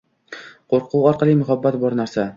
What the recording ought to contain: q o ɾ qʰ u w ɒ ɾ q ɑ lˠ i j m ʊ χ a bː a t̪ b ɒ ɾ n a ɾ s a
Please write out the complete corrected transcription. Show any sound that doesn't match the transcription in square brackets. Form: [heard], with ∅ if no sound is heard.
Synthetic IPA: q o ɾ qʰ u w ɒ ɾ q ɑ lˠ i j m ʊ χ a bː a t̪ b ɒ ɾ n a ɾ s a